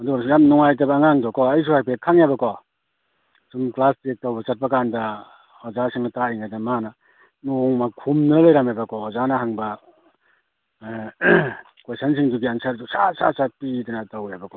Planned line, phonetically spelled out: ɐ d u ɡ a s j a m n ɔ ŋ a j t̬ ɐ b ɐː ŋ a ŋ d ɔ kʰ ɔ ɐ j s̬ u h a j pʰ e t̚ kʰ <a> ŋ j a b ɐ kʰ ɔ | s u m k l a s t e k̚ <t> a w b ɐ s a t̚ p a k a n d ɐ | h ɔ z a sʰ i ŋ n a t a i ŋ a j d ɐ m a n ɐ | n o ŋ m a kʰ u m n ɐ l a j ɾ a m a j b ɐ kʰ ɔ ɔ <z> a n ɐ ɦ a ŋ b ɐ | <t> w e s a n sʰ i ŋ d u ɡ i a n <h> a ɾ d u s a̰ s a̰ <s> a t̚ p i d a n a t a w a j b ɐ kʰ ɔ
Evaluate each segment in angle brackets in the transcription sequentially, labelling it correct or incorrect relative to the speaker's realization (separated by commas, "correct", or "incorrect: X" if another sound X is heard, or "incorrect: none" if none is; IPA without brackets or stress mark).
correct, correct, correct, incorrect: k, incorrect: s, correct